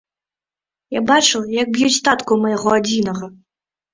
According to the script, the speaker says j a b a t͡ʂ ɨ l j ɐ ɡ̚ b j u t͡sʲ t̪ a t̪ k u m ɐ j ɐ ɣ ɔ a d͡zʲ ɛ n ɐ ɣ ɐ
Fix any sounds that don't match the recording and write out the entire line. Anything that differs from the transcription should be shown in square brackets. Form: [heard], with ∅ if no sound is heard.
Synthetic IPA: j a b a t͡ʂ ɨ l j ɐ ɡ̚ b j u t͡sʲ t̪ a t̪ k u m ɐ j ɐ ɣ ɔ a d͡zʲ [i] n ɐ ɣ ɐ